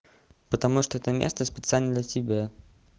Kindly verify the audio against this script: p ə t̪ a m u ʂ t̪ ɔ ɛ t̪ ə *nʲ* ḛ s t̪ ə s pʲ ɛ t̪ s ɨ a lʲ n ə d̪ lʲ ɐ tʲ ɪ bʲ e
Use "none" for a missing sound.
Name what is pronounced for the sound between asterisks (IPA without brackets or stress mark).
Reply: mʲ